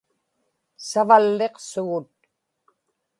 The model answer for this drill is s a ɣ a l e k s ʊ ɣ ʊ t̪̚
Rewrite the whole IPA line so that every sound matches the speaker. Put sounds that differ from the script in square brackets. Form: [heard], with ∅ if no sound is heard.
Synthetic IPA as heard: s a [v] a [lː] e [q] s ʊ ɣ ʊ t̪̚